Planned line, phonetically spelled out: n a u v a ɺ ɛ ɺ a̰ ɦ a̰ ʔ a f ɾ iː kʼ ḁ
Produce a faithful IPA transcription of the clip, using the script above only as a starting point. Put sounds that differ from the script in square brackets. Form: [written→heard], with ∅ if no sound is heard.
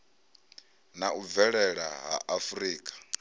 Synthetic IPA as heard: n a u v [a→ɛ] ɺ ɛ ɺ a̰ ɦ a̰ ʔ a f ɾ iː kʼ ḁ

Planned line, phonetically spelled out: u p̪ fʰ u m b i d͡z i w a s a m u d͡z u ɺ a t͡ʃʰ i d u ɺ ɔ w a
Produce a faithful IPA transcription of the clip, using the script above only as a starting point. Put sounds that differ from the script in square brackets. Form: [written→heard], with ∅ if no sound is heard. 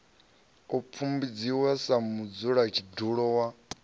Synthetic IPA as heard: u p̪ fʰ u m b i d͡z i w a s a m u d͡z u ɺ a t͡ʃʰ i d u ɺ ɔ w a

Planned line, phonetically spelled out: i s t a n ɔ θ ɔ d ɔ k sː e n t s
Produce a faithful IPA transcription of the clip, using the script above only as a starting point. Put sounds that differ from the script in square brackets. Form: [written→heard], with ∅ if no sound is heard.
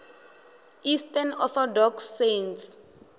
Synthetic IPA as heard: i s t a n ɔ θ ɔ d ɔ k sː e n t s

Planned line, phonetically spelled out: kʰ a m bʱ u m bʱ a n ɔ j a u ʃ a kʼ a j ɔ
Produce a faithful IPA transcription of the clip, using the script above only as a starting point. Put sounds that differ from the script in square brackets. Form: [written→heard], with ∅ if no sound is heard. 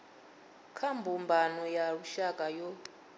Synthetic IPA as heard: kʰ a m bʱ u m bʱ a n ɔ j a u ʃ a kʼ a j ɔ

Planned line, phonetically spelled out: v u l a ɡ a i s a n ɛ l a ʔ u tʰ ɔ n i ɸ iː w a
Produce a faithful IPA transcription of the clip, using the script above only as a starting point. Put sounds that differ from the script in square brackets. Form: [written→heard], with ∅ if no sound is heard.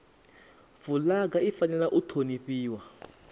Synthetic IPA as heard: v u l a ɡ a i [s→f] a n ɛ l a ʔ u tʰ [ɔ→o] n i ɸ iː w a

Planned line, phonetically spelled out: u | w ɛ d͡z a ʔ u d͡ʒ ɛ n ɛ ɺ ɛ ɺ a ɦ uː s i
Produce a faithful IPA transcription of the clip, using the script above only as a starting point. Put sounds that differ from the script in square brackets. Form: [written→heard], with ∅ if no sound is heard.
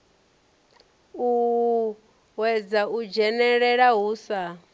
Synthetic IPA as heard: u | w ɛ d͡z a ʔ u d͡ʒ ɛ n ɛ ɺ ɛ ɺ a ɦ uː s [i→a]

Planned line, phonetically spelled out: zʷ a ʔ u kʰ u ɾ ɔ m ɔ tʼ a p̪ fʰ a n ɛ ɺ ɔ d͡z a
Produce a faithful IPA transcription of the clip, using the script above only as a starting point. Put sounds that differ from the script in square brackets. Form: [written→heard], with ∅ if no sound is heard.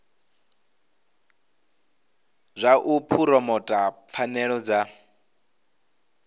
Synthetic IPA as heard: zʷ a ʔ u [kʰ→pʰ] u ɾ ɔ m ɔ tʼ a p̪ fʰ a n ɛ ɺ ɔ d͡z a

